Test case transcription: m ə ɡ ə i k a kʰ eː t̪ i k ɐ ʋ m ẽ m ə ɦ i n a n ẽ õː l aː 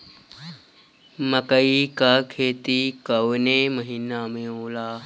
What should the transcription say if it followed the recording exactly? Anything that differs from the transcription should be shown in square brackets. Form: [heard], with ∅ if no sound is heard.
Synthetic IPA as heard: m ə [k] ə i k a kʰ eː t̪ i k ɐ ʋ [n] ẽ m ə ɦ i n a [m] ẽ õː l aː